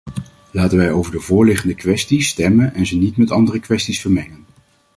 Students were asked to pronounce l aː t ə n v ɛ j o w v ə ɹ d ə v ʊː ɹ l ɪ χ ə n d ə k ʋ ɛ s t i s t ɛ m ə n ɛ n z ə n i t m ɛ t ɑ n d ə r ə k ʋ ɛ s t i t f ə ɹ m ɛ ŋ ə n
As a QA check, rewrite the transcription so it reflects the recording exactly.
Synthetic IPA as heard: l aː t ə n ʋ ɛ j o w v ə ɹ d ə v ʊː ɹ l ɪ χ ə n d ə k ʋ ɛ s t i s t ɛ m ə n ɛ n z ə n i t m ɛ t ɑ n d ə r ə k ʋ ɛ s t i s f ə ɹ m ɛ ŋ ə n